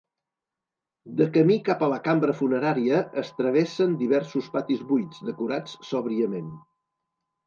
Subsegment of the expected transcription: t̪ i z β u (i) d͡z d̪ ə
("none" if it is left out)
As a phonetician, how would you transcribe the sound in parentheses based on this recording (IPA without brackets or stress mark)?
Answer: j